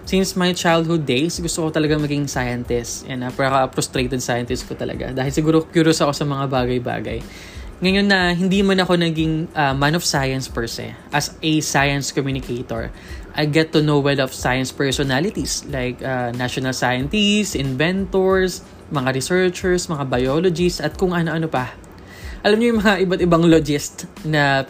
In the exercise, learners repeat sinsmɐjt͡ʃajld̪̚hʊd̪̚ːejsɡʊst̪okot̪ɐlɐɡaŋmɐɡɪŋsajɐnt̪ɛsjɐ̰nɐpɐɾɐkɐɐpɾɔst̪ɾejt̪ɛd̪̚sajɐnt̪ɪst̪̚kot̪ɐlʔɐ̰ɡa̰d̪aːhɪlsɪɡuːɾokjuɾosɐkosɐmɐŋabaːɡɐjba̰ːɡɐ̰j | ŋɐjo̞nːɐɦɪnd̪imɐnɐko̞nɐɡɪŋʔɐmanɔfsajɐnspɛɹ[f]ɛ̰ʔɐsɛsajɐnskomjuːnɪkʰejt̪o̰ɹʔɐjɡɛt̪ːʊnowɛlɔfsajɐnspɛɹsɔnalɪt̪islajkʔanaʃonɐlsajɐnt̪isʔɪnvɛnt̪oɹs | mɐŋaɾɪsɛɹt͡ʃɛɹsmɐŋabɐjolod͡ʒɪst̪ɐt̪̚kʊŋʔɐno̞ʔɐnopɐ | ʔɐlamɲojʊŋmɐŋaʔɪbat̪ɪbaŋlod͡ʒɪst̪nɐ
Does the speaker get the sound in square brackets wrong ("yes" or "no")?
yes